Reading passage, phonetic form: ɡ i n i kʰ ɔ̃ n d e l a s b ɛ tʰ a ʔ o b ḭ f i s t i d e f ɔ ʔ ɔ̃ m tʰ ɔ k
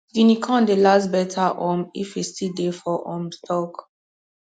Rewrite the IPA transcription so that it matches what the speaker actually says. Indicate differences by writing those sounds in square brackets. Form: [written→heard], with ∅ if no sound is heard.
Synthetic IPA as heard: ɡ i n i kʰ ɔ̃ n d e l a s b ɛ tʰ a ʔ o [b→m] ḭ f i s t i d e f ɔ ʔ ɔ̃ m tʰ ɔ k